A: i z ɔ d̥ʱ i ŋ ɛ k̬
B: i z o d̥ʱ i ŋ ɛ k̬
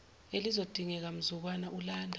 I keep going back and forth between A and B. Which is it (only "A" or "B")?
B